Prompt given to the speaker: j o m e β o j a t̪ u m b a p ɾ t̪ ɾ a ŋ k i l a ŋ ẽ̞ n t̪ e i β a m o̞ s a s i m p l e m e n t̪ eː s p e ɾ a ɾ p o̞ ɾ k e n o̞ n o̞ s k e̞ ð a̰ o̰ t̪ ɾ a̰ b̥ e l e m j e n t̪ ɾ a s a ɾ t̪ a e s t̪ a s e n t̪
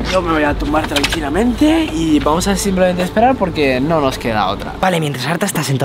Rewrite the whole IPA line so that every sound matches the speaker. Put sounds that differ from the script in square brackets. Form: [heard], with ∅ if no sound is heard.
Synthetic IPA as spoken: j o m e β o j a t̪ u m b a [∅] ɾ t̪ ɾ a ŋ k i l a [m] ẽ̞ n t̪ e i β a m o̞ s a s i m p l e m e n t̪ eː s p e ɾ a ɾ p o̞ ɾ k e n o̞ n o̞ s k e̞ ð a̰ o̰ t̪ ɾ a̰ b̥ [a] l e m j e n t̪ ɾ a s a ɾ t̪ a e s t̪ a s e n t̪